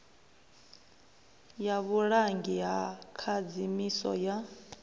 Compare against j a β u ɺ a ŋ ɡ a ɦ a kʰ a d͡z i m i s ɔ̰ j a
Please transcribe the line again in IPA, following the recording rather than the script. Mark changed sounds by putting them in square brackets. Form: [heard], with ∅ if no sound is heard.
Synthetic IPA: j a β u ɺ a ŋ ɡ [i] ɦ a kʰ a d͡z i m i s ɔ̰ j a